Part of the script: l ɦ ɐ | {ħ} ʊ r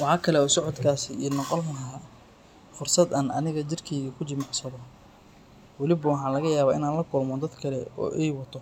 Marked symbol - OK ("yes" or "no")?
no